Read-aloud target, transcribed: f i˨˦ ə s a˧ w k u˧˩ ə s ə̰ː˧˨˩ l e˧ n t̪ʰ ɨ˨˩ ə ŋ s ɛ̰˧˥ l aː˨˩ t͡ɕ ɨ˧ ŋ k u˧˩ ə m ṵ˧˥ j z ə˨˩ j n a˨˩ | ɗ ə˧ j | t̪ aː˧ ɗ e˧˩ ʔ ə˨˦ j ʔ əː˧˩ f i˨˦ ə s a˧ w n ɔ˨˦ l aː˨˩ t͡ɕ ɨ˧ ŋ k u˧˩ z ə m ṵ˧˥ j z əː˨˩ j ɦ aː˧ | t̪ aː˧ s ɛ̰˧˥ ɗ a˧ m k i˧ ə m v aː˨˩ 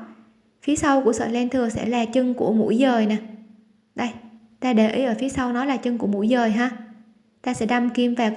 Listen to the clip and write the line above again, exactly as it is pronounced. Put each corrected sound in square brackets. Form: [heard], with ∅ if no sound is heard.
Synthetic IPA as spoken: f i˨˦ ə s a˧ w k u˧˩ ə s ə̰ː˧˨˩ l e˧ n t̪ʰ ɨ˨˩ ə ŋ s ɛ̰˧˥ l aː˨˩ t͡ɕ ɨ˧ ŋ k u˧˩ ə m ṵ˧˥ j z [əː˨˩] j n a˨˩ | ɗ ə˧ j | t̪ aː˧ ɗ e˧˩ ʔ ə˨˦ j ʔ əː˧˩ f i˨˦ ə s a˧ w n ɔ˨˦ l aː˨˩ t͡ɕ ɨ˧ ŋ k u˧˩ [∅] ə m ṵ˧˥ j z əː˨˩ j ɦ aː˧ | t̪ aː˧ s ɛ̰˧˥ ɗ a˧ m k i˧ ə m v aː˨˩